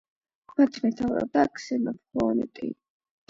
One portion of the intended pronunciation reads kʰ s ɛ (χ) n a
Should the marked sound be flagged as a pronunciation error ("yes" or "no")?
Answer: yes